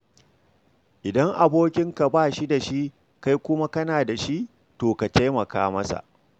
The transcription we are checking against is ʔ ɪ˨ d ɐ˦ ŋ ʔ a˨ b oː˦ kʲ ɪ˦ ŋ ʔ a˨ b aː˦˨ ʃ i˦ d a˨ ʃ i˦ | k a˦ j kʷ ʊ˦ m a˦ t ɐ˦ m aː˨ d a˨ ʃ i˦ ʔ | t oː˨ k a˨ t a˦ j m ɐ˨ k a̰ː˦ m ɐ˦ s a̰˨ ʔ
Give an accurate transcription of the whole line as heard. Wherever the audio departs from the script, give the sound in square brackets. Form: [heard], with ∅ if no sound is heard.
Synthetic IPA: ʔ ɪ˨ d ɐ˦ ŋ ʔ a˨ b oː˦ kʲ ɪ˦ ŋ [k] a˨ b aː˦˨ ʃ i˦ d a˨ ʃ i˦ | k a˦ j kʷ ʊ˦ m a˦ [k] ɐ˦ [n] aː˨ d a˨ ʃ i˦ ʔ | t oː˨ k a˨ t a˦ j m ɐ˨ k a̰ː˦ m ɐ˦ s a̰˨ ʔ